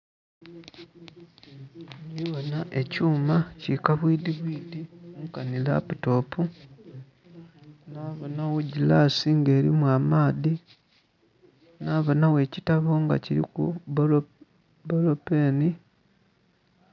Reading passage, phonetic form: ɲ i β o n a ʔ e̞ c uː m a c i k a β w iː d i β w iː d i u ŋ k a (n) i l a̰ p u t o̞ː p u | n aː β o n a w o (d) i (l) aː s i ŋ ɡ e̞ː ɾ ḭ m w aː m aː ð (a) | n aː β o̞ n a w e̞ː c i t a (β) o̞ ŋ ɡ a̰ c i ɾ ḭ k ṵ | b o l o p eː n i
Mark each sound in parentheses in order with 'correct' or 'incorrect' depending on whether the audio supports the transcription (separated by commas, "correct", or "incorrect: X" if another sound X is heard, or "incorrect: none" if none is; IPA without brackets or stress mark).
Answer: correct, incorrect: ɟ, correct, incorrect: i, correct